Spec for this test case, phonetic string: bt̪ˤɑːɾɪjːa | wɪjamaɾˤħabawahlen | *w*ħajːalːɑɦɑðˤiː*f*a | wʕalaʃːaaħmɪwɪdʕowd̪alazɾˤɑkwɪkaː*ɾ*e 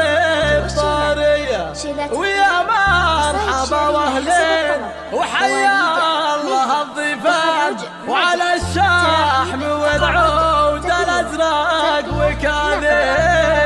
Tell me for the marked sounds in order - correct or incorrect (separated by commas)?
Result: correct, correct, incorrect